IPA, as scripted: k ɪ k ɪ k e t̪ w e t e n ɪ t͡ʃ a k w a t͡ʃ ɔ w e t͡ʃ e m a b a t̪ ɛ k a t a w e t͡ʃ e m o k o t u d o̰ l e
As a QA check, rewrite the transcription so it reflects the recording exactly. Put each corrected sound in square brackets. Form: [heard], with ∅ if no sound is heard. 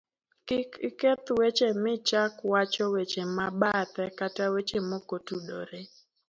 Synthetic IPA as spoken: k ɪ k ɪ k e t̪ w e [t͡ʃ] e [m] ɪ t͡ʃ a k w a t͡ʃ ɔ w e t͡ʃ e m a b a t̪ ɛ k a t a w e t͡ʃ e m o k o t u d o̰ [ɾ] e

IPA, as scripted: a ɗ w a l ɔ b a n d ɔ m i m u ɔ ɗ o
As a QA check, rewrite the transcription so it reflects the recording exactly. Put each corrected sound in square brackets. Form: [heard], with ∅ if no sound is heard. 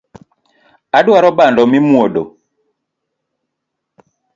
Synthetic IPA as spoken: a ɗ w a [ɾ] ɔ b a n d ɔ m i m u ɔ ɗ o

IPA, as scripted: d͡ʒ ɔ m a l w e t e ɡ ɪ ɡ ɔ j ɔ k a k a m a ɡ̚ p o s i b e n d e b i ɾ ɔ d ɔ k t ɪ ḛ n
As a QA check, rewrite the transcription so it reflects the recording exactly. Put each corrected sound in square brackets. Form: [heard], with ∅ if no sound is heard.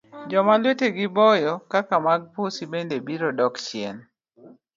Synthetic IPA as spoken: d͡ʒ ɔ m a l w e t e ɡ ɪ [b] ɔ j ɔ k a k a m a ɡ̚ p o s i b e n d e b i ɾ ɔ d ɔ k [t͡ʃ] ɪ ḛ n

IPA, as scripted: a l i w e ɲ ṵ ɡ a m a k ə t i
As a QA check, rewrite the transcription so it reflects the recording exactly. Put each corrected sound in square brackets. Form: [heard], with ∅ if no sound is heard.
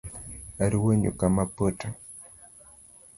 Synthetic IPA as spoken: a [ɾ] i w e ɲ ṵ [k] a m a [p] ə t [a]

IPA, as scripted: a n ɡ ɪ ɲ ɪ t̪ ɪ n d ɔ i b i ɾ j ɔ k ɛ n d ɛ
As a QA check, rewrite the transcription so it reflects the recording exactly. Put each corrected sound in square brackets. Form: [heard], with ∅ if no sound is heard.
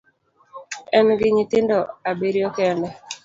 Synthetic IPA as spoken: [ɛ] n ɡ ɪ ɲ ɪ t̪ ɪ n d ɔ [a] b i ɾ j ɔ k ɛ n d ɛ

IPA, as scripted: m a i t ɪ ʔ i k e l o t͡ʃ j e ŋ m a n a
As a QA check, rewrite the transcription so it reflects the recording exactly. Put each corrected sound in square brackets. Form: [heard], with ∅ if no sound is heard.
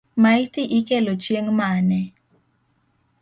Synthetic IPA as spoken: m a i t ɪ ʔ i k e l o t͡ʃ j e ŋ m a n [ɛ]

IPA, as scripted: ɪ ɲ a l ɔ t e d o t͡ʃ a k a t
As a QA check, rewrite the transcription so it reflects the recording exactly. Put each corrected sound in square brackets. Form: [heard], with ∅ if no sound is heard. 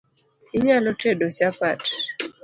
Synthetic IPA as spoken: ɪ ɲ a l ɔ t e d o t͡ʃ a [p] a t

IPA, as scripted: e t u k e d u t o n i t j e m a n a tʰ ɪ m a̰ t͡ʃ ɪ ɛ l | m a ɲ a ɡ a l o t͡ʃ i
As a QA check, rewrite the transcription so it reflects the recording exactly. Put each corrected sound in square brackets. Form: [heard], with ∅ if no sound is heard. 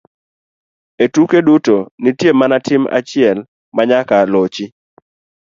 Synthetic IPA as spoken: e t u k e d u t o n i t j e m a n a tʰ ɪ m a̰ t͡ʃ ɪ ɛ l | m a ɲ a [k] a l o t͡ʃ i

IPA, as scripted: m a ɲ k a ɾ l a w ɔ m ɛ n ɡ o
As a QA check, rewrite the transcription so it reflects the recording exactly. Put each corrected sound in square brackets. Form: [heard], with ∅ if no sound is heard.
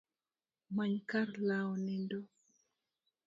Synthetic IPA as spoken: m a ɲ k a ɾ l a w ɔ [n] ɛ n [d] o

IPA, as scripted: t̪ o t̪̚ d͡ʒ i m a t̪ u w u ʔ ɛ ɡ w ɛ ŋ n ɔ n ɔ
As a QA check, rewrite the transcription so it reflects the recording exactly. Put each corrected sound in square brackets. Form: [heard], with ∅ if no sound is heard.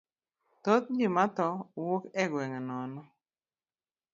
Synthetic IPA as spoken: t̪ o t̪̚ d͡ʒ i m a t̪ [ɔ] w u [k] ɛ ɡ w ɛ ŋ n ɔ n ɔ

